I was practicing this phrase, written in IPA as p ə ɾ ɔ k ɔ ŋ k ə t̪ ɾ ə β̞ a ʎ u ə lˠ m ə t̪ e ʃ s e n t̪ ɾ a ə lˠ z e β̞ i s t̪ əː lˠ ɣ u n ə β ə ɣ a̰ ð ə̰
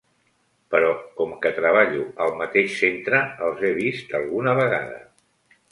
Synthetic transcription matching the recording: p ə ɾ ɔ k ɔ m k ə t̪ ɾ ə β̞ a ʎ u ə lˠ m ə t̪ e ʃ s e n t̪ ɾ ə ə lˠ z e β̞ i s t̪ ə lˠ ɣ u n ə β ə ɣ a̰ ð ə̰

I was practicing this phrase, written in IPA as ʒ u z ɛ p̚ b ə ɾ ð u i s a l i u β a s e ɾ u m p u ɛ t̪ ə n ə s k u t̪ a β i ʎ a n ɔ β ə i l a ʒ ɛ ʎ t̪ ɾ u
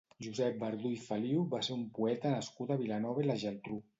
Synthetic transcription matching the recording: ʒ u z ɛ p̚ b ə ɾ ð u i f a l i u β a s e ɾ u m p u ɛ t̪ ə n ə s k u t̪ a β i l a n ɔ β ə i l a ʒ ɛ l t̪ ɾ u

